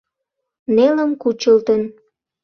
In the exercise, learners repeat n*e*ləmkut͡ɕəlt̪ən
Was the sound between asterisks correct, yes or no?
yes